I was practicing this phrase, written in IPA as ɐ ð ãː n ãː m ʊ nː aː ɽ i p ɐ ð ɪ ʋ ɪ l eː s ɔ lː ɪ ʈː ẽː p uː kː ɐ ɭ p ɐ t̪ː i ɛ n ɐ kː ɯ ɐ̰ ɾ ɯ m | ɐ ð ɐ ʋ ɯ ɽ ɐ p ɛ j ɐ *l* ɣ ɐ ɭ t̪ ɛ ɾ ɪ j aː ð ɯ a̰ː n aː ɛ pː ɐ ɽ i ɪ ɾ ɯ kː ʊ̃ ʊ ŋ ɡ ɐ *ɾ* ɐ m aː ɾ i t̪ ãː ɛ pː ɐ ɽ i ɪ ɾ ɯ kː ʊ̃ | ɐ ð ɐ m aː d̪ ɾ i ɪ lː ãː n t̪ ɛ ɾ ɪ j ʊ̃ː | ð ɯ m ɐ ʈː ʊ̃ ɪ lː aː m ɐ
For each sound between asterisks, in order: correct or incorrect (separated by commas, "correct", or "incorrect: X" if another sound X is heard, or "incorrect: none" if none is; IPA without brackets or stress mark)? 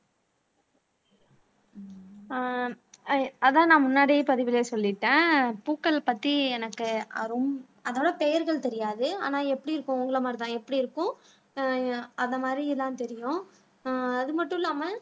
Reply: incorrect: ɾ, incorrect: ɭ